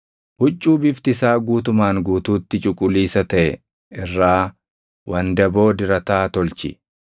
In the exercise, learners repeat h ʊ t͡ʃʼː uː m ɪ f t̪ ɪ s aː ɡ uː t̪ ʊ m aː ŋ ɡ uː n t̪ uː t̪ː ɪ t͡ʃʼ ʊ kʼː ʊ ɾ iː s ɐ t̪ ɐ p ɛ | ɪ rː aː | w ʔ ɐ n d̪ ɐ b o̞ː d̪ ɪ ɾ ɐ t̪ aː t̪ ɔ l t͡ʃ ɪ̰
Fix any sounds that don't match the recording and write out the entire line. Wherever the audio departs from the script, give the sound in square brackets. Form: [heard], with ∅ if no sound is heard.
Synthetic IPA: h ʊ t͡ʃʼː uː [b] ɪ f t̪ ɪ s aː ɡ uː t̪ ʊ m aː ŋ ɡ uː [∅] t̪ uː t̪ː ɪ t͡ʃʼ ʊ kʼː ʊ [l] iː s ɐ t̪ ɐ [ʔ] ɛ | ɪ rː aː | w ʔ ɐ n d̪ ɐ b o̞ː d̪ ɪ ɾ ɐ t̪ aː t̪ ɔ l t͡ʃ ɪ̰